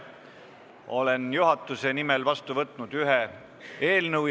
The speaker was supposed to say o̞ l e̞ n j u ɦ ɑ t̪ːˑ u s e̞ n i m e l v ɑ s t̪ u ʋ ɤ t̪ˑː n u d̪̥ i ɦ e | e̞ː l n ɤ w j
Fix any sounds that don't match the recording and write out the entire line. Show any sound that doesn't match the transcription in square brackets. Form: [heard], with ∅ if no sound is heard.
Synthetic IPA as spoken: o̞ l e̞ n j u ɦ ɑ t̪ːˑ u s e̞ n i m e l v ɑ s t̪ u [v] ɤ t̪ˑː n u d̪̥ [y] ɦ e | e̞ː l n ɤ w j